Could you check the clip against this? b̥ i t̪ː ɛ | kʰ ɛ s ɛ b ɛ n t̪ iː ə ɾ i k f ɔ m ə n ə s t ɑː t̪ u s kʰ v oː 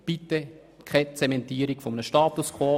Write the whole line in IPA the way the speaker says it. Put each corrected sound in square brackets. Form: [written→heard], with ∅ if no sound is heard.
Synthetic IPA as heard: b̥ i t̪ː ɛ | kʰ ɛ [s→t͡s] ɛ [b→m] ɛ n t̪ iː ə ɾ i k f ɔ m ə n ə [s→ʃ] t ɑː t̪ u s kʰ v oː